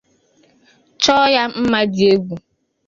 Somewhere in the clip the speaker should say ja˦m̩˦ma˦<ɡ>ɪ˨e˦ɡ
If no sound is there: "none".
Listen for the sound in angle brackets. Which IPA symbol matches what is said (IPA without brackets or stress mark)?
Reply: d